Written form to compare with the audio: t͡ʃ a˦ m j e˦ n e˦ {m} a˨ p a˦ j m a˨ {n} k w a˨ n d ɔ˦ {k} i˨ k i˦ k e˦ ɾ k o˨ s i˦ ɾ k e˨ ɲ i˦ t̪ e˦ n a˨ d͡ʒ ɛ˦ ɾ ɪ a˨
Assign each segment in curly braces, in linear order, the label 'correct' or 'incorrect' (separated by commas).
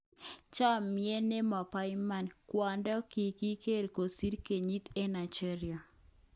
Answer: correct, correct, correct